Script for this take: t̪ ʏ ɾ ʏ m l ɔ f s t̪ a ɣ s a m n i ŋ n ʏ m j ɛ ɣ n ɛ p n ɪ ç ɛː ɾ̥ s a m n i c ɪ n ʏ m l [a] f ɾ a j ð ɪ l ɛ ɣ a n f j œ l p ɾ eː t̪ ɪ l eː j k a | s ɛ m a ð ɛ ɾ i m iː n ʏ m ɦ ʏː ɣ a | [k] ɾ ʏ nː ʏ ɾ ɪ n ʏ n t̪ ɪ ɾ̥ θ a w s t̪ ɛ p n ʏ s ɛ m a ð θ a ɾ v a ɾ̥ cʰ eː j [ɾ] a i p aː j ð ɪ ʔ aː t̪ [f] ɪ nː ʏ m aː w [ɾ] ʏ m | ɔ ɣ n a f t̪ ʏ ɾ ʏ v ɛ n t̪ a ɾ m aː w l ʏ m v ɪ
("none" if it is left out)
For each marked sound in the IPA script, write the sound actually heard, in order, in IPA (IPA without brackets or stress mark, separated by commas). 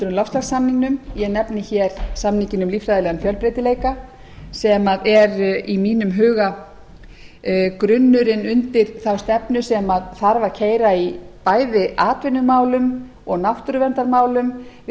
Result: i, k, ɾ, v, l